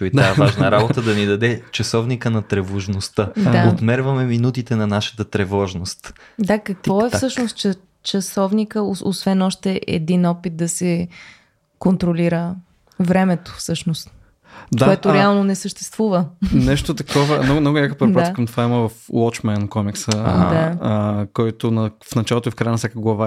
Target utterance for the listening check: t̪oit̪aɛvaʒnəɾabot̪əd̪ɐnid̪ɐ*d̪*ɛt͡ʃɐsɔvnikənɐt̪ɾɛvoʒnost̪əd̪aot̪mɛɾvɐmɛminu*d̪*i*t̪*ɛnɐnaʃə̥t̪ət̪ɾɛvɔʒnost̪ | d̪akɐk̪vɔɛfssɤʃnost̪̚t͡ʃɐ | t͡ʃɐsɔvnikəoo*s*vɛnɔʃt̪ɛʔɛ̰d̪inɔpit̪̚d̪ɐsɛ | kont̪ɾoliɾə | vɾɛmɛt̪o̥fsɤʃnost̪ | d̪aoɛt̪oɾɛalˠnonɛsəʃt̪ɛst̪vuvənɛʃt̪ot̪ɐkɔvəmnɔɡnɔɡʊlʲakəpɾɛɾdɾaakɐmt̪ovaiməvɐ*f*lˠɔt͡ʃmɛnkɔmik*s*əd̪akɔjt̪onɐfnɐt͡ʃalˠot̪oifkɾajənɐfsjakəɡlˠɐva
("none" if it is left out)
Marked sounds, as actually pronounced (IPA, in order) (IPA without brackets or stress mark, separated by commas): d̪, t̪, t̪, s, f, s